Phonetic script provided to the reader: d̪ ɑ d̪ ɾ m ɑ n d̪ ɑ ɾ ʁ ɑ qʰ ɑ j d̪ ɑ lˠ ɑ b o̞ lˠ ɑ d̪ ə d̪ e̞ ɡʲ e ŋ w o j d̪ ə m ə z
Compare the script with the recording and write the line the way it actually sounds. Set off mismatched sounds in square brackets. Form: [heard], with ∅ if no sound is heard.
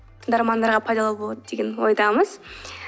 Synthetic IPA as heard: d̪ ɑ [∅] ɾ m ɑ n d̪ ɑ ɾ ʁ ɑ [pʰ] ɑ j d̪ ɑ lˠ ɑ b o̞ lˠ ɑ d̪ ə d̪ e̞ ɡʲ e [n] w o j d̪ [ɑ] m ə z